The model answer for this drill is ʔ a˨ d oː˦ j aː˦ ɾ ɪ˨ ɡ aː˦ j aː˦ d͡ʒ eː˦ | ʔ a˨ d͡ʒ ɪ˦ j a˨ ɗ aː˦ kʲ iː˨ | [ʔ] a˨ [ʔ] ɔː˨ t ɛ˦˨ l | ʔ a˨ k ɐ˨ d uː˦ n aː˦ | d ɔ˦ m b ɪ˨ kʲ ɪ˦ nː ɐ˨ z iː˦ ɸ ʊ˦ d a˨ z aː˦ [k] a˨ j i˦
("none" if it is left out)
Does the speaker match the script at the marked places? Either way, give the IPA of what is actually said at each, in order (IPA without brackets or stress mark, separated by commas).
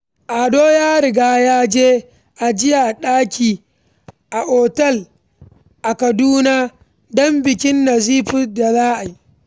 ʔ, ʔ, ʔ